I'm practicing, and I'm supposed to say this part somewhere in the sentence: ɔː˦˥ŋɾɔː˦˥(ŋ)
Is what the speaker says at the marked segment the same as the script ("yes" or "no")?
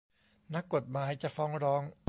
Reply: yes